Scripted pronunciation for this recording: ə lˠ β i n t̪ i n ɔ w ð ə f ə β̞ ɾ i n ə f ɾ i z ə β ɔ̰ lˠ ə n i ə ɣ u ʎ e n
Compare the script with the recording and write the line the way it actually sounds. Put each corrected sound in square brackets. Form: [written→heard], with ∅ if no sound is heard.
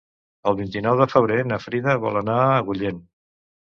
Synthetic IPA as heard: ə lˠ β i n t̪ i n ɔ w ð ə f ə β̞ ɾ [i→e] n ə f ɾ i [z→ð] ə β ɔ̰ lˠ ə n [i→a] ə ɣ u ʎ e n